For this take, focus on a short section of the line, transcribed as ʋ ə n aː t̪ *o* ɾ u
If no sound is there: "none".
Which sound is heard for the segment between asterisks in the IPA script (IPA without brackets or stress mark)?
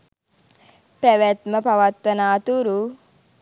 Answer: u